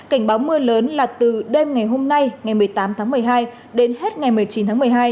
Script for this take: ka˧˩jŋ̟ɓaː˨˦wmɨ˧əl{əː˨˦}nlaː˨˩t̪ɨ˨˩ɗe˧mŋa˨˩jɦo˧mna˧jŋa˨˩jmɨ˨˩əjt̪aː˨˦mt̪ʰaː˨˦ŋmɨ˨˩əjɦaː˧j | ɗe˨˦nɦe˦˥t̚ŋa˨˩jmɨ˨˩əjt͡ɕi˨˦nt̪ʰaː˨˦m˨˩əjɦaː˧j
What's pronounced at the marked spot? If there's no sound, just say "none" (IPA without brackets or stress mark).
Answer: əː˨˦